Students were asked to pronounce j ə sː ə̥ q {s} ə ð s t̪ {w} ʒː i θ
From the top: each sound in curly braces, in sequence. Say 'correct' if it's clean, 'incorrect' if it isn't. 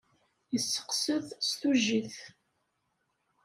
correct, incorrect

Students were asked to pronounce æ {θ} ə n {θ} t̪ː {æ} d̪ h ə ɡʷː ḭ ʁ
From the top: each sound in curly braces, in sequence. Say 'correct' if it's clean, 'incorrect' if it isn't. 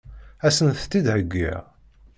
incorrect, correct, incorrect

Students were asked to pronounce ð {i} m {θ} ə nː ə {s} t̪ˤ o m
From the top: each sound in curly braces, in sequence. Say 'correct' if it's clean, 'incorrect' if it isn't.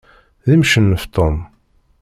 correct, incorrect, incorrect

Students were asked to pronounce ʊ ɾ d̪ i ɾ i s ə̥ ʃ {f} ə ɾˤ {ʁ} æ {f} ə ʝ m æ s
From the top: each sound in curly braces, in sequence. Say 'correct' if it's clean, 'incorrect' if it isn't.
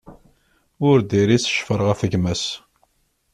correct, correct, correct

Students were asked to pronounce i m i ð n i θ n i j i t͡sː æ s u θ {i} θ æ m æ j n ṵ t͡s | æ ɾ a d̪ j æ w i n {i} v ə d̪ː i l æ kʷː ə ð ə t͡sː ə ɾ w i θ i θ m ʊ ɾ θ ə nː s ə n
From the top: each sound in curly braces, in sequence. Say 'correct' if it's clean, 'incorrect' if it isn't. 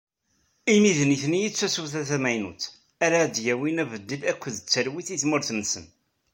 incorrect, incorrect

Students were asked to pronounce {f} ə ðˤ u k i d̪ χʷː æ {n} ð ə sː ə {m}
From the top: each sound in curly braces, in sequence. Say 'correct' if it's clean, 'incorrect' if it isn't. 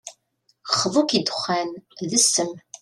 incorrect, correct, correct

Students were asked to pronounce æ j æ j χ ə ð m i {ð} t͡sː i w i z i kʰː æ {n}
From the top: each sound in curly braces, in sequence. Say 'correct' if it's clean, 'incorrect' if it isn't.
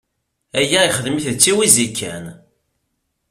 incorrect, correct

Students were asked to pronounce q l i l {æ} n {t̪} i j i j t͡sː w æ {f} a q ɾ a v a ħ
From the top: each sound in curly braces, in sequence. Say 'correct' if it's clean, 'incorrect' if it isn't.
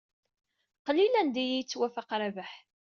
correct, incorrect, correct

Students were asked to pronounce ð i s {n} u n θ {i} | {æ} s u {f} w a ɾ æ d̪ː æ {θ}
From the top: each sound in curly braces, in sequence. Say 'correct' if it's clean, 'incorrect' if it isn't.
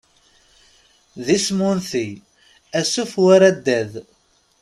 incorrect, correct, correct, correct, incorrect

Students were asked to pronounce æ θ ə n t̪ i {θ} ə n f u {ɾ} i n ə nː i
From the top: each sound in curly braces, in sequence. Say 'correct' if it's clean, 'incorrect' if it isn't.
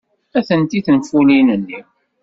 correct, incorrect

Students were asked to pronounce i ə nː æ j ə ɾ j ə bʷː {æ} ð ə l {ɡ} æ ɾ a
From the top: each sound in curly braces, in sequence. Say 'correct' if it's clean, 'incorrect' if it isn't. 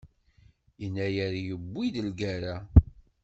incorrect, correct

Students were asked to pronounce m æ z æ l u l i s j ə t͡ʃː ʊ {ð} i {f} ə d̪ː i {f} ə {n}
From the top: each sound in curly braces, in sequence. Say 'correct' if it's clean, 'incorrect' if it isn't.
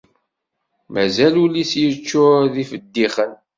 correct, correct, incorrect, correct

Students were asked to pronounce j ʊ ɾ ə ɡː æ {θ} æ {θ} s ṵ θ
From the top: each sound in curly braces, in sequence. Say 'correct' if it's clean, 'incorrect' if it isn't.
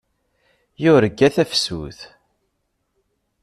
correct, incorrect

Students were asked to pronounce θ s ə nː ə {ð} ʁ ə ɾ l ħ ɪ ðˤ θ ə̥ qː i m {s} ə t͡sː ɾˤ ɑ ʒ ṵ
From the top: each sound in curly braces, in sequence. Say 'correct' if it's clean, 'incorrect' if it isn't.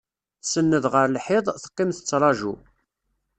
correct, incorrect

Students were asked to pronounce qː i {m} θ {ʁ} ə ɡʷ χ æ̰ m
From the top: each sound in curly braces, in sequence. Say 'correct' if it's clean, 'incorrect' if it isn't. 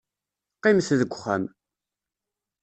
correct, incorrect

